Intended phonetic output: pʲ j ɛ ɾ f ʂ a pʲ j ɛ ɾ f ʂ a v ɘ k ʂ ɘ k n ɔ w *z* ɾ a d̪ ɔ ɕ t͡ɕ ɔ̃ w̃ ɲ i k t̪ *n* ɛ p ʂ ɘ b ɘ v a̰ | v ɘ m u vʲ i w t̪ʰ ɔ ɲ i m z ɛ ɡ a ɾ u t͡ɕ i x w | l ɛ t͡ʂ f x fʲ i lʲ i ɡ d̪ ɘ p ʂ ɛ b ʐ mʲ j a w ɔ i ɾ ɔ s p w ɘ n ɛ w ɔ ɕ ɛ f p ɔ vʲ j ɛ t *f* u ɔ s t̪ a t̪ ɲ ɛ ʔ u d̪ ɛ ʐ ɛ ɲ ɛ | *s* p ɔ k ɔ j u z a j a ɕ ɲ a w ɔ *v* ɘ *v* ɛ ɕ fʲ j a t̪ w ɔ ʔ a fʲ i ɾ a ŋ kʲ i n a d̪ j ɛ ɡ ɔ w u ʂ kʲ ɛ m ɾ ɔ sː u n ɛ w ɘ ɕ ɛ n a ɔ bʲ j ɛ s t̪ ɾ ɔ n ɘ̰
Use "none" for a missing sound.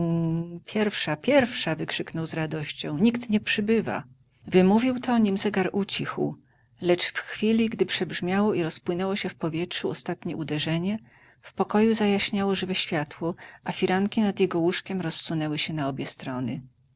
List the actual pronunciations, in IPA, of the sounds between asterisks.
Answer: z, ɲ, ʂ, f, ʐ, v

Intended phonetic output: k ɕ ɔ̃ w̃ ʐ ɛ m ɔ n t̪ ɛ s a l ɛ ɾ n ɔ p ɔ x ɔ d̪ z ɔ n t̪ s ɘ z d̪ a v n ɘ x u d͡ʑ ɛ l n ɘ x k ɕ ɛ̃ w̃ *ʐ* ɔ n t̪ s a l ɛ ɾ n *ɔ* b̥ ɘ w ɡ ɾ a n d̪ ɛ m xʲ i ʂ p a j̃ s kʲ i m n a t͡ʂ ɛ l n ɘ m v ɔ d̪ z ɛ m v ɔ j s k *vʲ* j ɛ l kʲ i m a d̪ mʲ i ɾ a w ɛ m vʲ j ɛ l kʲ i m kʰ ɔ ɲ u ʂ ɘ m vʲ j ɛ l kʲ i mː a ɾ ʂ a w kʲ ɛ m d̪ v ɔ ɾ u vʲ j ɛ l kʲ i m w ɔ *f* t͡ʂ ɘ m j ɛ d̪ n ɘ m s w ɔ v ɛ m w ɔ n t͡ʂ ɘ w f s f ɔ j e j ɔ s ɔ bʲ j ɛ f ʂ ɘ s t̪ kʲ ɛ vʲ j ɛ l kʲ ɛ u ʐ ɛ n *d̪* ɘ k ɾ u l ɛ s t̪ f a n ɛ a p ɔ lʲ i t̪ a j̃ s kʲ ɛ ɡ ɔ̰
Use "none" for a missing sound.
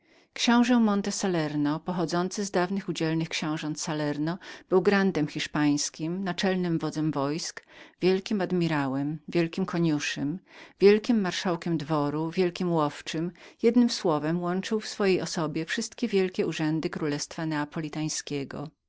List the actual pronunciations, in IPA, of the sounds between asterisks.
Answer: ʐ, ɔ, vʲ, f, d̪

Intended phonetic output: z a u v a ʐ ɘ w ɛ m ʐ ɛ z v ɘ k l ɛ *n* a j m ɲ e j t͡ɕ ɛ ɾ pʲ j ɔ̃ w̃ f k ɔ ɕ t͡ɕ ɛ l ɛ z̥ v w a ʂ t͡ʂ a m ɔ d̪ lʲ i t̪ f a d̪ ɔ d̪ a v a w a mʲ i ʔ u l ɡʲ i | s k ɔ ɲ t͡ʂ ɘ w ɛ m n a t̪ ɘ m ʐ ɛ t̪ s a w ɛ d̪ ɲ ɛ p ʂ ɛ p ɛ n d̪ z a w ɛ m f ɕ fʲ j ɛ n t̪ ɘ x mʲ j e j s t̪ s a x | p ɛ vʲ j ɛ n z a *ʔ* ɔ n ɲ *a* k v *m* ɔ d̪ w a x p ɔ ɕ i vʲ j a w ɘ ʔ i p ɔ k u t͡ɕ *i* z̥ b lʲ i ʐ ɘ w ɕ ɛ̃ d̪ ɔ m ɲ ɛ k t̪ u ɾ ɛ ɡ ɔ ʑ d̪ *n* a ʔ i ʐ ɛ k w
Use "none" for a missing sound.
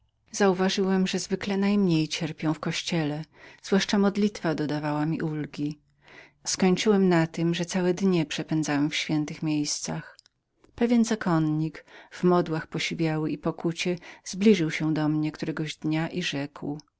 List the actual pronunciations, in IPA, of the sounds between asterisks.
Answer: n, k, i, m, ɛ, ɲ

